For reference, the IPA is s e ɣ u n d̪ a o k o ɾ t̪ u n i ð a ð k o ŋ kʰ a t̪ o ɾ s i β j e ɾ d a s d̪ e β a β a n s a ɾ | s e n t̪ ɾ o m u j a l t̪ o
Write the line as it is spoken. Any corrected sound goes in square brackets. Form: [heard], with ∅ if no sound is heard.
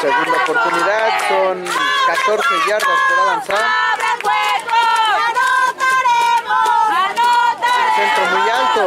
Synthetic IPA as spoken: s e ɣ u n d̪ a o [p] o ɾ t̪ u n i ð a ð k o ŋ [k] a t̪ o ɾ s [e] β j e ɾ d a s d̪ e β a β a n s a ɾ | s e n t̪ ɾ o m u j a l t̪ o